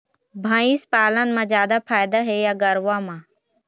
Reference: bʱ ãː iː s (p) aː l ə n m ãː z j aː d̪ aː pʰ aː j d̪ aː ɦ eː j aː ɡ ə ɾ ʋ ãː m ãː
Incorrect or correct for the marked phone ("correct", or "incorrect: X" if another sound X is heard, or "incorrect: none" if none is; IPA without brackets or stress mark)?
correct